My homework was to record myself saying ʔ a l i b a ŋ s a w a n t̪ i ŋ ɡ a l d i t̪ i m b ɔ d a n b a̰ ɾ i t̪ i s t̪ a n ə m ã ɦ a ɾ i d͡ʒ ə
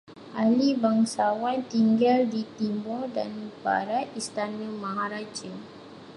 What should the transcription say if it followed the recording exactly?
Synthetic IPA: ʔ a l i b a ŋ s a w a n t̪ i ŋ ɡ a l d i t̪ i m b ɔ d a n b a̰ ɾ a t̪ i s t̪ a n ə m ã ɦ a ɾ a d͡ʒ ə